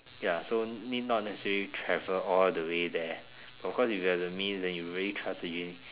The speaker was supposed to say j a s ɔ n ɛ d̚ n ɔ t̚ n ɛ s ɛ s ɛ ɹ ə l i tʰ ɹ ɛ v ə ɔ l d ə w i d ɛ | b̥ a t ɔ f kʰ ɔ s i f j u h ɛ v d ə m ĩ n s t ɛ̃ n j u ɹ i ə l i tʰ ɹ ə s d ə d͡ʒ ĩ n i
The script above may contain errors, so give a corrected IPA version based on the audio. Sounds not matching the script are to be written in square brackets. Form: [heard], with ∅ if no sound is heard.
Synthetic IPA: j a s [o] n [i] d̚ n ɔ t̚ n ɛ s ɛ s ɛ ɹ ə l i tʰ ɹ ɛ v ə ɔ l d ə w [e] d ɛ | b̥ a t ɔ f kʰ ɔ s i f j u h ɛ v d ə m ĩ n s [d] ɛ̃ n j u ɹ i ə l i tʰ ɹ [a] s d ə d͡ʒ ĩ n i